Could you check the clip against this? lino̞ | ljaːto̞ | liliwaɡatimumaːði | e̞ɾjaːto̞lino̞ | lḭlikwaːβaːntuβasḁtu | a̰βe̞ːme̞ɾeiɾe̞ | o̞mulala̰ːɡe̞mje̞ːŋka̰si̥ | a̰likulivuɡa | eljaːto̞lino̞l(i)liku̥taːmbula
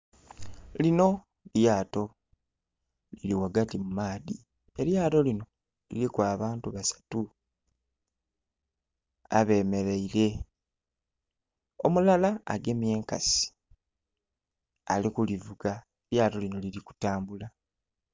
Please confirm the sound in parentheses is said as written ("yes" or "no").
yes